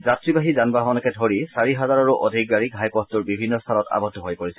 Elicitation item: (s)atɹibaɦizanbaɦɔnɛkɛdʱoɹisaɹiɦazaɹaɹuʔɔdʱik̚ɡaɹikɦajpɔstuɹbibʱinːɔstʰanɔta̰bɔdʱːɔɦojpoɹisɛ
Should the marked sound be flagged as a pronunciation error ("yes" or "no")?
yes